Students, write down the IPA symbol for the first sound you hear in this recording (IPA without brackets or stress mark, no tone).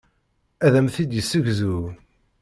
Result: æ